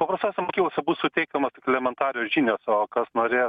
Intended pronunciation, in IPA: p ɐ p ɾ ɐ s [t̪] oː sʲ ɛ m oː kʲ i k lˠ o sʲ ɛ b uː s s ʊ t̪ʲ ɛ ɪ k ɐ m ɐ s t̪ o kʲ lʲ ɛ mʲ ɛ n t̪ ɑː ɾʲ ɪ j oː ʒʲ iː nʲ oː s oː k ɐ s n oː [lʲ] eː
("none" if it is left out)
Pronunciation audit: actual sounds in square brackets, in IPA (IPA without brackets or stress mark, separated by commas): t̪, ɾʲ